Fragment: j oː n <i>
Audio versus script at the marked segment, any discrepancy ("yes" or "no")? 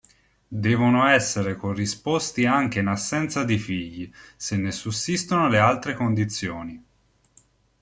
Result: no